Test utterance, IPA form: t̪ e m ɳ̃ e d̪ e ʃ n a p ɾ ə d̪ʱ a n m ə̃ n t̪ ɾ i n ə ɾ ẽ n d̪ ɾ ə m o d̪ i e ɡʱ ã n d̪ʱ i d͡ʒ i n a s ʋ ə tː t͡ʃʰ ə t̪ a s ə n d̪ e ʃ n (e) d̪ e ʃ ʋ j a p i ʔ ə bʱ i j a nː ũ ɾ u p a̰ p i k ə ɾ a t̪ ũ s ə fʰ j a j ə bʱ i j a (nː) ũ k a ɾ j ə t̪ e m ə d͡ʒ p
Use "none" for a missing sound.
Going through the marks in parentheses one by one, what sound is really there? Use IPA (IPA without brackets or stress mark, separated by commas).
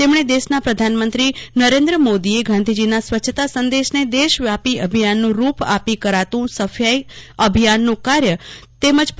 e, nː